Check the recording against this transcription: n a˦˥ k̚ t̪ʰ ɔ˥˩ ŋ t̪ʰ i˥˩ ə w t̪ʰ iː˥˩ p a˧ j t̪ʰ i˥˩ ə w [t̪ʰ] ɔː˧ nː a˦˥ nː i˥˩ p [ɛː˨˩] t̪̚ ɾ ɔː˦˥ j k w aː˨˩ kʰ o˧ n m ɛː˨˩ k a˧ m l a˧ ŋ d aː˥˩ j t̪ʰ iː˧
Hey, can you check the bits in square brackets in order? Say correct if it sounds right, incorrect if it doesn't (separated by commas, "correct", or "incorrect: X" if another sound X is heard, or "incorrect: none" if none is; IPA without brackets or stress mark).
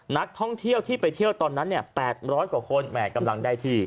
incorrect: t̪, correct